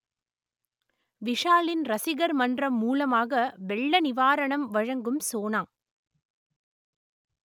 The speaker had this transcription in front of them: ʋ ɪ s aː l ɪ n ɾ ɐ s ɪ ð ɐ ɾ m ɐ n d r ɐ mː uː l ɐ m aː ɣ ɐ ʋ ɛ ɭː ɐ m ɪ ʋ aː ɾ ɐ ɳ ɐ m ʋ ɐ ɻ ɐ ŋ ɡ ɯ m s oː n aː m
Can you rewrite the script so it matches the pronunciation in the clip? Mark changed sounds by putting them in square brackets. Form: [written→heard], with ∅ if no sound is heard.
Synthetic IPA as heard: ʋ ɪ [s→ʂ] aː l ɪ n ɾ ɐ s ɪ [ð→ɣ] ɐ ɾ m ɐ n d r ɐ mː uː l ɐ m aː ɣ ɐ ʋ ɛ ɭː ɐ [m→n] ɪ ʋ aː ɾ ɐ ɳ ɐ m ʋ ɐ ɻ ɐ ŋ ɡ ɯ m s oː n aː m